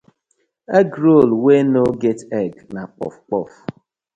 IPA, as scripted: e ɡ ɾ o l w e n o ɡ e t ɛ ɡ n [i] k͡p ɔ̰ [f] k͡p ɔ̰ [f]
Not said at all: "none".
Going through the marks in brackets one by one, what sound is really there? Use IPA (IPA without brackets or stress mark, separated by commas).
a, f, f